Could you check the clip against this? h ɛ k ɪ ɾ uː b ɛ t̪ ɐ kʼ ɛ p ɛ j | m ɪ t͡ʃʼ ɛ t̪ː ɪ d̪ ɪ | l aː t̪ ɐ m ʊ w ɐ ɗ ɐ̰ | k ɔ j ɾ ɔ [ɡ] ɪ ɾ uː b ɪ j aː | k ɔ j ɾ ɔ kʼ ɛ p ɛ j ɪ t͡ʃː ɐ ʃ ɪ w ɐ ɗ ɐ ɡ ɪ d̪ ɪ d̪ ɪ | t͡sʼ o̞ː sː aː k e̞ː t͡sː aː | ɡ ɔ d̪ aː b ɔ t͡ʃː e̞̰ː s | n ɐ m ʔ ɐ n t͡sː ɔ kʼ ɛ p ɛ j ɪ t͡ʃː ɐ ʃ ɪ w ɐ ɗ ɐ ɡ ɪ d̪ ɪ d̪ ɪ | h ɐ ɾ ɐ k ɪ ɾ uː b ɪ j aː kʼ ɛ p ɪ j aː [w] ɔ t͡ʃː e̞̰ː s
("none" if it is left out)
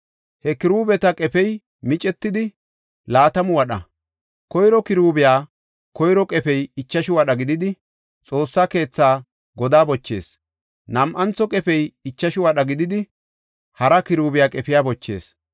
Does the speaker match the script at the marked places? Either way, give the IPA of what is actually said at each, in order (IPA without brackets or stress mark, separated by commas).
k, b